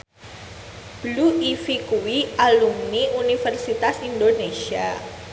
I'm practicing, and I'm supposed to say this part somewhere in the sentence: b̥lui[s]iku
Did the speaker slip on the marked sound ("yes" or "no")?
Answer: yes